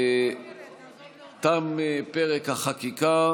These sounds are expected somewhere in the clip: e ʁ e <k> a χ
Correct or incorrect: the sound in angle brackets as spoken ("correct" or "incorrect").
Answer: correct